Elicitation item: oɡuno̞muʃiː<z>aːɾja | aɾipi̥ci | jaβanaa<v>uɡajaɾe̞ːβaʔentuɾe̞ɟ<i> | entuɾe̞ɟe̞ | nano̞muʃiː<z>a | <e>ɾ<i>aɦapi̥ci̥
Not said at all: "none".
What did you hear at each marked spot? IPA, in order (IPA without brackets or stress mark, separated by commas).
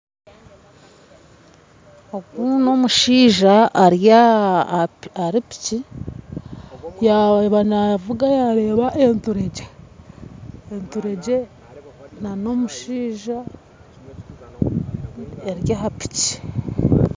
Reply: ʒ, v, e, ʒ, e, j